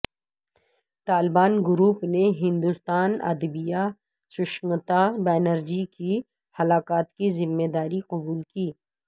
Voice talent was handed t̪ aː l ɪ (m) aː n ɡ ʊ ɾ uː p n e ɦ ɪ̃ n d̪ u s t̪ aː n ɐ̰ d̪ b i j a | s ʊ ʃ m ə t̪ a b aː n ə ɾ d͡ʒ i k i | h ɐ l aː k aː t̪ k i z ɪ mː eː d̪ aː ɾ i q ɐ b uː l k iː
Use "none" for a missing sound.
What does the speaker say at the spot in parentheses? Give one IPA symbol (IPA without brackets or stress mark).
b